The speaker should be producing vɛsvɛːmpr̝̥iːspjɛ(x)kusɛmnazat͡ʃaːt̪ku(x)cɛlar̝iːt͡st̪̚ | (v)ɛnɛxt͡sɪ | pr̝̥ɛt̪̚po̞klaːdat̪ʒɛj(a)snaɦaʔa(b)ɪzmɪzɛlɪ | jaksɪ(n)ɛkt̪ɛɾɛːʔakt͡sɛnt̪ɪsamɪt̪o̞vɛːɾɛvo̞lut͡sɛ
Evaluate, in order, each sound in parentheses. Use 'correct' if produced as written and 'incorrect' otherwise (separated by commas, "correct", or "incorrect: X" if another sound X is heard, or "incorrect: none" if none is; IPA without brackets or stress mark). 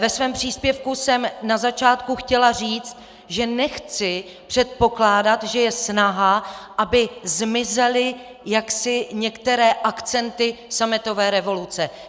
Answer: incorrect: f, correct, incorrect: ʒ, incorrect: ɛ, correct, incorrect: ɲ